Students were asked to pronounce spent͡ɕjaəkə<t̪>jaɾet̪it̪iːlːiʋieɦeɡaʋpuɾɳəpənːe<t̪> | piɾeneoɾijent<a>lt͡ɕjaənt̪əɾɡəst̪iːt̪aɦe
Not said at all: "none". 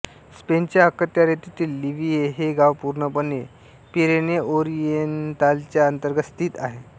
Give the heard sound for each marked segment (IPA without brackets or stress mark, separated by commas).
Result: t̪, none, a